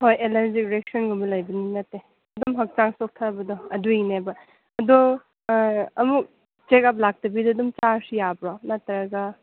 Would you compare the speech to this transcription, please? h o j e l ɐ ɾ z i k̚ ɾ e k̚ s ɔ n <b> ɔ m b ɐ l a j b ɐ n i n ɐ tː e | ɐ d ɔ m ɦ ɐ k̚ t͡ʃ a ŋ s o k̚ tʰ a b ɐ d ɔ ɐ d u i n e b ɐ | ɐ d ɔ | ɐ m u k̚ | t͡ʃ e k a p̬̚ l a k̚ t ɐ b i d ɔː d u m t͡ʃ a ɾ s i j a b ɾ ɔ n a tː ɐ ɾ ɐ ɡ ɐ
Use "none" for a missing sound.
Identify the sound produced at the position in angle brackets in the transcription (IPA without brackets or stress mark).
ɡ